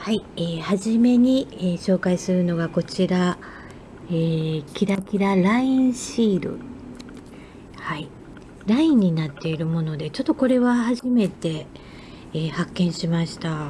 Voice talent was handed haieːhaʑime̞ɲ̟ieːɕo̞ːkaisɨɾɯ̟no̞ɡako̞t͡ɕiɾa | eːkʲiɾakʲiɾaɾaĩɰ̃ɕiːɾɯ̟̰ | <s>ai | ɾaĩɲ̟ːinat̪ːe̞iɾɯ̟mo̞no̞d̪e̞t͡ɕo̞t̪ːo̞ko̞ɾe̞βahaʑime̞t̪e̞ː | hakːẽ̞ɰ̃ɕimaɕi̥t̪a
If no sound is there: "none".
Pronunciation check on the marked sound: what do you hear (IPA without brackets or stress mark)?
h